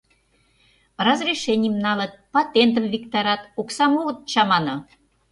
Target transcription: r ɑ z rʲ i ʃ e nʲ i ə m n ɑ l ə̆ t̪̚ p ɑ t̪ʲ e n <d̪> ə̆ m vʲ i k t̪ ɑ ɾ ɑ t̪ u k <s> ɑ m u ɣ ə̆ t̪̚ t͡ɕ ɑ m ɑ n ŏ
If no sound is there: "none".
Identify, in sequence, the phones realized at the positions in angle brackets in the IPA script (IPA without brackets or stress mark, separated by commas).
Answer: t̪, s